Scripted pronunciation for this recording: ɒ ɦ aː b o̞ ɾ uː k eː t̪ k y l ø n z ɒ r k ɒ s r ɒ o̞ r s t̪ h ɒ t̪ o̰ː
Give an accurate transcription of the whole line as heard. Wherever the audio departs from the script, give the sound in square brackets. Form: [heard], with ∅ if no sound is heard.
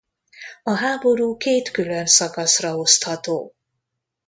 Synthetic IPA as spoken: ɒ ɦ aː b o̞ ɾ uː k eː t̪ k y l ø n [s] ɒ [∅] k ɒ s r ɒ o̞ [∅] s t̪ h ɒ t̪ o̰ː